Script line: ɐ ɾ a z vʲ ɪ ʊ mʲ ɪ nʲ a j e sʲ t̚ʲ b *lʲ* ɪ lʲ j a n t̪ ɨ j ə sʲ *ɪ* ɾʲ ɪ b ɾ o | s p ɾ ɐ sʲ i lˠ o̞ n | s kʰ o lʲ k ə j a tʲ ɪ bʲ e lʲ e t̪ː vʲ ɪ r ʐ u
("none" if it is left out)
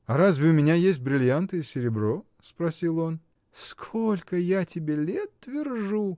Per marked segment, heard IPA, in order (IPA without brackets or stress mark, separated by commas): ɾʲ, ɪ